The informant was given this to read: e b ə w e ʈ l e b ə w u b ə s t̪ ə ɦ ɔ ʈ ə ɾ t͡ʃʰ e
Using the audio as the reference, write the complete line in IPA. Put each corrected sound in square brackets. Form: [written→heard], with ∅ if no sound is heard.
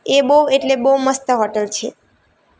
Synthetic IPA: e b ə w e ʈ l e b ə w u [b→m] ə s t̪ ə ɦ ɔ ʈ ə [ɾ→l] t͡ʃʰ e